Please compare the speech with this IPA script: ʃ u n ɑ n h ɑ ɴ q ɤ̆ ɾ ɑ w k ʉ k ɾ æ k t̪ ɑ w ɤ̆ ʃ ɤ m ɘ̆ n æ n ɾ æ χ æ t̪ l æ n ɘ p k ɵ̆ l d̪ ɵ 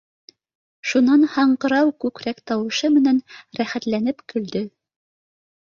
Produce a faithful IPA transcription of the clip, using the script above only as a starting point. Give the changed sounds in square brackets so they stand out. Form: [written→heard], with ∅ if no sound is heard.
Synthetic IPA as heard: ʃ u n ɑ n h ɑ ɴ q ɤ̆ ɾ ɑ w k ʉ k ɾ æ k t̪ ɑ w ɤ̆ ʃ ɤ m ɘ̆ n æ n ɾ æ χ æ t̪ l æ n ɘ p k ɵ̆ l d̪ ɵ